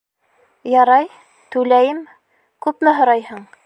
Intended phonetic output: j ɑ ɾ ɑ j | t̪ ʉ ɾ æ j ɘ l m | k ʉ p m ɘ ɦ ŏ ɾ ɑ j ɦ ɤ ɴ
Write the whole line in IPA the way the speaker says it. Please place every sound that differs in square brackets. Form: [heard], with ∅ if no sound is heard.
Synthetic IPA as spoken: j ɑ ɾ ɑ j | t̪ ʉ [l] æ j ɘ [∅] m | k ʉ p m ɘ ɦ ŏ ɾ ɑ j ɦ ɤ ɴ